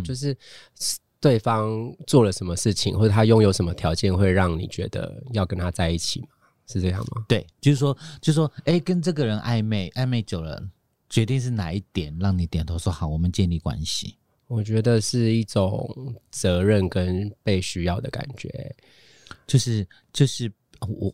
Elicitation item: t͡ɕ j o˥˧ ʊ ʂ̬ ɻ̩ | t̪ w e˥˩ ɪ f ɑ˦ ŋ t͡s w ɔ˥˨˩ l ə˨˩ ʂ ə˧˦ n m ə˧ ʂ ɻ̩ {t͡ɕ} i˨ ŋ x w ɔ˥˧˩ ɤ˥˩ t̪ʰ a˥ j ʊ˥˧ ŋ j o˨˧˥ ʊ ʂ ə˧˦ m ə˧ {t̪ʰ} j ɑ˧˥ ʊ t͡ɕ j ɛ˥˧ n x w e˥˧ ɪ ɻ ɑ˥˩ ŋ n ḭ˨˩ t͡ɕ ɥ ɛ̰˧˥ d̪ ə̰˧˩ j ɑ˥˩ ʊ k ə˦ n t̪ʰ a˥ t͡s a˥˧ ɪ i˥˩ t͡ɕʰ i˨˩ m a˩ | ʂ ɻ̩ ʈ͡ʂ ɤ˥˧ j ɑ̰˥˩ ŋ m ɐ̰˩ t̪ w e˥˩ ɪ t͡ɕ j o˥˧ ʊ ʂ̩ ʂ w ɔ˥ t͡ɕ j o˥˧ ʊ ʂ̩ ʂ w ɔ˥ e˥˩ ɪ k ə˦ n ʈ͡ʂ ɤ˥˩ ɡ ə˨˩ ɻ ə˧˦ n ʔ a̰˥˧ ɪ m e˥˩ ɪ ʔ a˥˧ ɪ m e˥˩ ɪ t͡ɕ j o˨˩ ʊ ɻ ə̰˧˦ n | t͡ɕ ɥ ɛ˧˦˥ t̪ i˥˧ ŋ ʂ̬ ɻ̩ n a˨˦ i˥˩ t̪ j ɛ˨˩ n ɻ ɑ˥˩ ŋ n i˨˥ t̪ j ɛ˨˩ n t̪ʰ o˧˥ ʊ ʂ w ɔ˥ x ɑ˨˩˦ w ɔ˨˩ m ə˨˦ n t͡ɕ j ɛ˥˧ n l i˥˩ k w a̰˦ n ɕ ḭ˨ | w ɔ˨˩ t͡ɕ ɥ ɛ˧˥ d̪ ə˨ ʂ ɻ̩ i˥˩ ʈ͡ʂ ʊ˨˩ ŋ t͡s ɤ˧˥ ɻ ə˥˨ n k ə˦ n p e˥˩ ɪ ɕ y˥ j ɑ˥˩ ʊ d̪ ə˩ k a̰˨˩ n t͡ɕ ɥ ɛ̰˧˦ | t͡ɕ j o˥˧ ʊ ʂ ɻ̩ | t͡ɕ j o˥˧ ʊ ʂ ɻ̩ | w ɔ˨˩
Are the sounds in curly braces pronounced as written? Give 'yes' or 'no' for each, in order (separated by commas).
no, yes